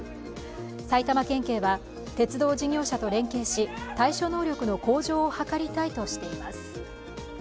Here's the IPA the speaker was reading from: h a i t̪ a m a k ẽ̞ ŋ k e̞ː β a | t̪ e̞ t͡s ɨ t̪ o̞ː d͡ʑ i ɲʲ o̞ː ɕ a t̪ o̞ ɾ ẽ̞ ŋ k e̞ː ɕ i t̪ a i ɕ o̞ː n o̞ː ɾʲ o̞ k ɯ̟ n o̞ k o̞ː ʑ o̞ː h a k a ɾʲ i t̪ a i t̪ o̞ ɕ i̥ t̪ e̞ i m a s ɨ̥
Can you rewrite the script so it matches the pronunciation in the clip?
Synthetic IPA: s a i t̪ a m a k ẽ̞ ŋ k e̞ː β a | t̪ e̞ t͡s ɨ d̪ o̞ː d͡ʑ i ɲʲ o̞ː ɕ a t̪ o̞ ɾ ẽ̞ ŋ k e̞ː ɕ i t̪ a i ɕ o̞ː n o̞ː ɾʲ o̞ k ɯ̟ n o̞ k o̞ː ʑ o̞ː h a k a ɾʲ i t̪ a i t̪ o̞ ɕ i̥ t̪ e̞ i m a s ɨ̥